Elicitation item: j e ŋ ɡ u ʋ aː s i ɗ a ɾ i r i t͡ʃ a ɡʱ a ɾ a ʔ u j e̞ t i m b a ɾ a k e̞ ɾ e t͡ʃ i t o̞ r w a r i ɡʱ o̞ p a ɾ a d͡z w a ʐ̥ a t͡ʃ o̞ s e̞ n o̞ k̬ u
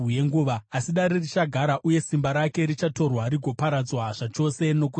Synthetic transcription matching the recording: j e ŋ ɡ u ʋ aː s i ɗ a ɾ i r i t͡ʃ a ɡʱ a ɾ a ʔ u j e̞ s i m b a ɾ a k e̞ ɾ i t͡ʃ a t o̞ r w a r i ɡʱ o̞ p a ɾ a d͡z w a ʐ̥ a t͡ʃ o̞ s e̞ n o̞ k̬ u